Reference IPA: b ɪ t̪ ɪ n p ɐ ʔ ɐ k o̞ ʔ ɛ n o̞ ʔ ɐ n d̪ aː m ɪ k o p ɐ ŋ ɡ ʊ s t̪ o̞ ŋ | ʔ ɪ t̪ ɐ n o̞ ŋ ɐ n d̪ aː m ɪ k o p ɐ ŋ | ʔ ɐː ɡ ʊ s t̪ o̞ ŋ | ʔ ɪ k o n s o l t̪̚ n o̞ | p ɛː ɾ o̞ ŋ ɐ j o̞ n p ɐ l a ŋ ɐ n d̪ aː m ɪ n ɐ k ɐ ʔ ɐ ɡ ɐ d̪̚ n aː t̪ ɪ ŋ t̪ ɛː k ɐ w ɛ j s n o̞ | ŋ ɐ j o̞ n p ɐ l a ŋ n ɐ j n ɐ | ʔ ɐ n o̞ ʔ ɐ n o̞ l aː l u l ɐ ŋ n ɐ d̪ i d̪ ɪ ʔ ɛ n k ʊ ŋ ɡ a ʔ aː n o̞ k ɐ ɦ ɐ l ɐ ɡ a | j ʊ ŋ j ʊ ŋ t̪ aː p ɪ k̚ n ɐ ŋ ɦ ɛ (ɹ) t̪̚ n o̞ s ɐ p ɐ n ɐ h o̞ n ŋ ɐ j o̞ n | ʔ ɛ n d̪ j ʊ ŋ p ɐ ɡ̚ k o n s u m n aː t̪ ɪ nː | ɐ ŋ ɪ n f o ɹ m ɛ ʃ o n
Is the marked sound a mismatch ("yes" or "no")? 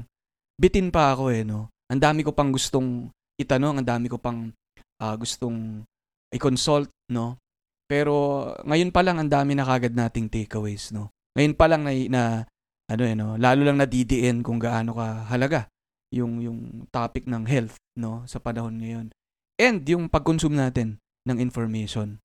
yes